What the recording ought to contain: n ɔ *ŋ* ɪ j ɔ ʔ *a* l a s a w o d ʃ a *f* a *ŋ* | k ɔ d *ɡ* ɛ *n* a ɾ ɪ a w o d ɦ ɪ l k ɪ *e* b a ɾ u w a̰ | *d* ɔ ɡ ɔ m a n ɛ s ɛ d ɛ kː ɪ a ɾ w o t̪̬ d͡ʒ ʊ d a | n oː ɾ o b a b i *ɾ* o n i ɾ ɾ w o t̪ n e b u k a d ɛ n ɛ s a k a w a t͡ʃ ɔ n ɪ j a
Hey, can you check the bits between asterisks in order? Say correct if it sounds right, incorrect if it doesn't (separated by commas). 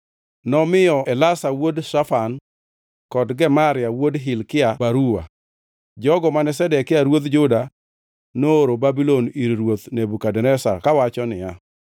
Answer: incorrect, incorrect, correct, incorrect, correct, incorrect, incorrect, incorrect, incorrect